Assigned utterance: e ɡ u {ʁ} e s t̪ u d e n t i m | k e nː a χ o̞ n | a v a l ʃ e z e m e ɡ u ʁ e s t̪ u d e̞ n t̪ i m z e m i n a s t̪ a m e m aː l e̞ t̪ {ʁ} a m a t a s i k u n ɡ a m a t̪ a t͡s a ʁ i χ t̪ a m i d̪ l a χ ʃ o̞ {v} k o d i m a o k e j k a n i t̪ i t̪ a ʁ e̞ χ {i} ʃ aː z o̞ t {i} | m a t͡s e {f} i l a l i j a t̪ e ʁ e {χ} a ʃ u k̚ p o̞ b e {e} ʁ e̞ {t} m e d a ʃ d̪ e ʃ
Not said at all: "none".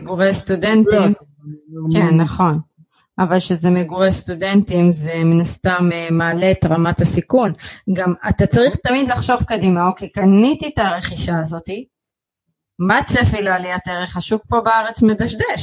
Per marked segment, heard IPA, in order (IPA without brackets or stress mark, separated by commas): ʁ, ʁ, v, i, i, f, χ, a, t͡s